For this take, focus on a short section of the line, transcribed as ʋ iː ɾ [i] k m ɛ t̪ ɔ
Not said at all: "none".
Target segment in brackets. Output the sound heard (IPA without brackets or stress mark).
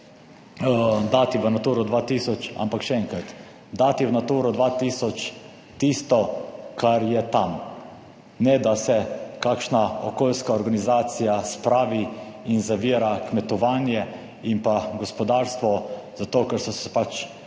a